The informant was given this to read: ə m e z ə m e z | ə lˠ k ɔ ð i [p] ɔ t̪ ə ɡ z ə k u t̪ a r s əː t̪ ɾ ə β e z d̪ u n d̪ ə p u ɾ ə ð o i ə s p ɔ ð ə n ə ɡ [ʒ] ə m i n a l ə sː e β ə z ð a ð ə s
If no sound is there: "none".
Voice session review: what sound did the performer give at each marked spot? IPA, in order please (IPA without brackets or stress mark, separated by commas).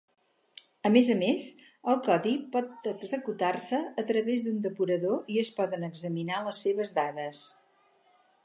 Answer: p, z